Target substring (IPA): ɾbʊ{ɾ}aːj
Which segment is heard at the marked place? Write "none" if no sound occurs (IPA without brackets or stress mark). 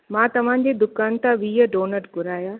ɾ